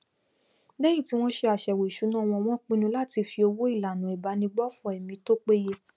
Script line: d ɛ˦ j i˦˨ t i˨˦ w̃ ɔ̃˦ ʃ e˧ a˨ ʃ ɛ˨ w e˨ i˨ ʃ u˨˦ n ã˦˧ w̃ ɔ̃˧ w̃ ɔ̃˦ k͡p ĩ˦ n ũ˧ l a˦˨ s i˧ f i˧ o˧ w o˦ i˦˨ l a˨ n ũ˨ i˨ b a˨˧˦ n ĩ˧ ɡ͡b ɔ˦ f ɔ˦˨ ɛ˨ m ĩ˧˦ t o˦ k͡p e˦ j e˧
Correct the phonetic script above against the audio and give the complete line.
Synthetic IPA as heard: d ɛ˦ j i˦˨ t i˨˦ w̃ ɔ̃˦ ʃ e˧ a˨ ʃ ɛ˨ w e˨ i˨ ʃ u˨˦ n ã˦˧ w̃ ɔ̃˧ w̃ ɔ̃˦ k͡p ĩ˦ n ũ˧ l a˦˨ t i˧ f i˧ o˧ w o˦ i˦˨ l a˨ n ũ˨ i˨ b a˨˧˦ n ĩ˧ ɡ͡b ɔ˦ f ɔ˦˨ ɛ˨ m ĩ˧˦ t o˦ k͡p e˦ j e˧